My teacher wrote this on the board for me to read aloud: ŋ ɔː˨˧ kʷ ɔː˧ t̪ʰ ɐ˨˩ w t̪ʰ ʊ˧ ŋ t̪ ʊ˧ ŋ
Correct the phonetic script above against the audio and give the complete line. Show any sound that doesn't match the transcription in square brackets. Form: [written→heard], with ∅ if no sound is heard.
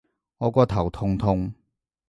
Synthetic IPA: ŋ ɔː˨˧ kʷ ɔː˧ t̪ʰ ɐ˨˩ w t̪ʰ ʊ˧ ŋ [t̪→t̪ʰ] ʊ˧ ŋ